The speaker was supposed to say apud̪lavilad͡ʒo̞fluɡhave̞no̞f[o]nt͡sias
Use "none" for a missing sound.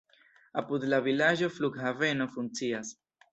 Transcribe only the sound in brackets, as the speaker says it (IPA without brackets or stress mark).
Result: u